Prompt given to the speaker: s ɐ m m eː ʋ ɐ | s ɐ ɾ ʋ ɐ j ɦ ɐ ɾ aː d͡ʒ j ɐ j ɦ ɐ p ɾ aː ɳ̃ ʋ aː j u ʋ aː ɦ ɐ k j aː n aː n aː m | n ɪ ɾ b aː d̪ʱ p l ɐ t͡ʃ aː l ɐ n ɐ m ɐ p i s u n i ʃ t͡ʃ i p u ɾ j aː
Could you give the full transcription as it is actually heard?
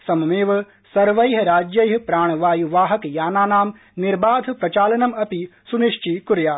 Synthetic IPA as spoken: s ɐ m m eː ʋ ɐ | s ɐ ɾ ʋ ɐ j ɦ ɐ ɾ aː d͡ʒ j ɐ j ɦ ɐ p ɾ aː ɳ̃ ʋ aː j u ʋ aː ɦ ɐ k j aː n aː n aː m | n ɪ ɾ b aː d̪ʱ p ɾ ɐ t͡ʃ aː l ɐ n ɐ m ɐ p i s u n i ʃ t͡ʃ i k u ɾ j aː